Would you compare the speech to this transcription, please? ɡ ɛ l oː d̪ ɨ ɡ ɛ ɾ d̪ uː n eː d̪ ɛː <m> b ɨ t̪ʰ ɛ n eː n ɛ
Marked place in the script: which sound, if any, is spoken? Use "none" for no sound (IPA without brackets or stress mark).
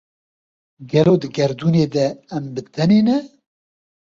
m